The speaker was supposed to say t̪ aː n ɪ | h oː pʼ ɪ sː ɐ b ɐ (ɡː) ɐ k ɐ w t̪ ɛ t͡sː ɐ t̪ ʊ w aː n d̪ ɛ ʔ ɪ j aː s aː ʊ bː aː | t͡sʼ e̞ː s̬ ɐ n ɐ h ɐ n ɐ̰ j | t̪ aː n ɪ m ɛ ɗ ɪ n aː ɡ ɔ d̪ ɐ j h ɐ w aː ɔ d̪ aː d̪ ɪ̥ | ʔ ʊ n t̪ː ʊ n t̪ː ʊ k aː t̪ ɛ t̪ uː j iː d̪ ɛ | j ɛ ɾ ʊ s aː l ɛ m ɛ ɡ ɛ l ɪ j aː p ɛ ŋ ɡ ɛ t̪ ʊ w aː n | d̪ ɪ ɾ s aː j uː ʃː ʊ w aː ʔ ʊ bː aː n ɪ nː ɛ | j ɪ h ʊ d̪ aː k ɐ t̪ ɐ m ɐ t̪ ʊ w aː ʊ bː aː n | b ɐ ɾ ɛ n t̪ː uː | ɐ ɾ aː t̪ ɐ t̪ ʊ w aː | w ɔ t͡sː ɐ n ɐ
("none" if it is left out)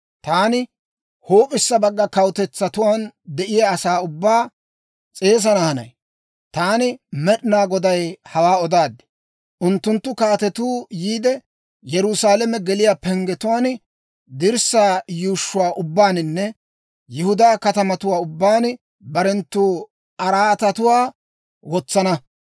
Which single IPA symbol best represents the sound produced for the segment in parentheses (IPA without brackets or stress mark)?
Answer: ɡː